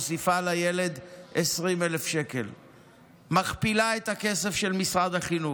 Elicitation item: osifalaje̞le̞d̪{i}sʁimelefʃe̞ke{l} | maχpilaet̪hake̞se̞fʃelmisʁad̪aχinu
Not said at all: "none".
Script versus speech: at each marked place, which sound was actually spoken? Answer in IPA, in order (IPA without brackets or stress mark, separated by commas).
e, l